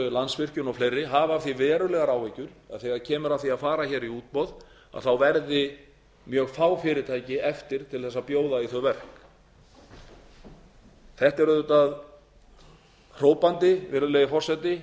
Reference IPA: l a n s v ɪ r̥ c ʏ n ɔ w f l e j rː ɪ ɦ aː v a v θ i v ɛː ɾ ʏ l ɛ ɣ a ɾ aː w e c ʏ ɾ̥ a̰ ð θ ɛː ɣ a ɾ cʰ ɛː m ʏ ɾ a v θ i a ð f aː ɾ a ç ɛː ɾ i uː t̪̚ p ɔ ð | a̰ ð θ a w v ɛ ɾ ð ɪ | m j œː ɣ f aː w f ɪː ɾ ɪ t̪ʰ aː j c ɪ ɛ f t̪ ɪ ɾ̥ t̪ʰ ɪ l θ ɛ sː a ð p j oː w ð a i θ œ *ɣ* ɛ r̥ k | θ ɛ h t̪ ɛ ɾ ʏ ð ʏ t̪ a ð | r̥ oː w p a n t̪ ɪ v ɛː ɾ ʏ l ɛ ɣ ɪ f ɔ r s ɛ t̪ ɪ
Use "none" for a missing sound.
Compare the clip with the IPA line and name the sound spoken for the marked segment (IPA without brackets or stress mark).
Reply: v